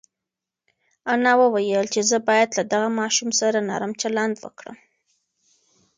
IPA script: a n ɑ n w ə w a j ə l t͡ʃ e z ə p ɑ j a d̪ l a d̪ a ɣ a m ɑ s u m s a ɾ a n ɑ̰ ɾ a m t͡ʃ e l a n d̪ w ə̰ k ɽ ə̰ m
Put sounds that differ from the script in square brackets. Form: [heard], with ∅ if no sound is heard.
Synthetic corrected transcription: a n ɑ [∅] w ə w a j ə l t͡ʃ e z ə [b] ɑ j a d̪ l a d̪ a ɣ a m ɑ [ʃ] u m s a ɾ a n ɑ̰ ɾ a m t͡ʃ [a] l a n d̪ w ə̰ k ɽ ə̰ m